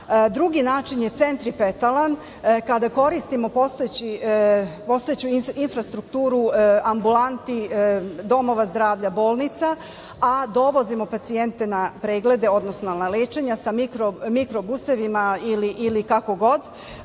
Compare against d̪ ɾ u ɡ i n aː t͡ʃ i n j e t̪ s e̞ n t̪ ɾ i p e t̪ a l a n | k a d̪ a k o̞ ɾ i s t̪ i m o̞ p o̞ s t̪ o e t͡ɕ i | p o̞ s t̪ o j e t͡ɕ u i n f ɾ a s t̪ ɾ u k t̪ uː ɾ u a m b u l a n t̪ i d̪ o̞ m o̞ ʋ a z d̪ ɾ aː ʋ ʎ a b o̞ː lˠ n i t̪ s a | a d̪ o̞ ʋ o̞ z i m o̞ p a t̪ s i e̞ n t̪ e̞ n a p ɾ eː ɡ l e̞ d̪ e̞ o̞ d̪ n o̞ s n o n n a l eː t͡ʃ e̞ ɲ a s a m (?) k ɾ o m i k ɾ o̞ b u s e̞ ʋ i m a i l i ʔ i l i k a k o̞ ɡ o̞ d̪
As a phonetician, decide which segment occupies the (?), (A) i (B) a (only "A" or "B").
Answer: A